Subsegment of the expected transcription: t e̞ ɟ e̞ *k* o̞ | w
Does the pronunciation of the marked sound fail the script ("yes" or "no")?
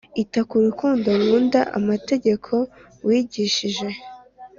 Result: yes